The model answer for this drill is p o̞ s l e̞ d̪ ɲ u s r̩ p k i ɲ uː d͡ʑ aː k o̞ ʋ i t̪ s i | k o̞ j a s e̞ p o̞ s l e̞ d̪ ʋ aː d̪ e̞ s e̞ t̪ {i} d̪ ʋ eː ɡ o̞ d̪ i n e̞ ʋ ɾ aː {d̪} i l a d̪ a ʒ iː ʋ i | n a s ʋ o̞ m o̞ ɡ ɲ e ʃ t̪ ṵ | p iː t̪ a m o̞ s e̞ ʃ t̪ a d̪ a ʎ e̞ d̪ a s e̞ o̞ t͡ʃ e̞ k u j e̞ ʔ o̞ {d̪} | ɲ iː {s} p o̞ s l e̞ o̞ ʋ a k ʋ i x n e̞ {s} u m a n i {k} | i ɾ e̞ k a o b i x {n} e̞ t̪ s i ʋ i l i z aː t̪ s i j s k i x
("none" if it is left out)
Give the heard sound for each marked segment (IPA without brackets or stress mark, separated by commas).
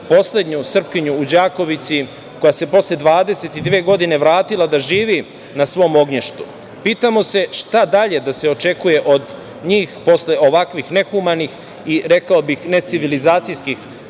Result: i, t̪, d̪, x, x, x, n